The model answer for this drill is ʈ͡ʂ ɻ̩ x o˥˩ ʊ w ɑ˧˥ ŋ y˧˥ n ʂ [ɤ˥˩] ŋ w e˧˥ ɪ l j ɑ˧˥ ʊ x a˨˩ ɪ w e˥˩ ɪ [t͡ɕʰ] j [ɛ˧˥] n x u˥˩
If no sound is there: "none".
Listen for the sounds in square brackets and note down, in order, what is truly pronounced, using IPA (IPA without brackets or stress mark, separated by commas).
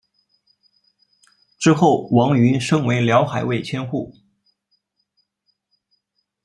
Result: ɤ˥, t͡ɕʰ, ɛ˥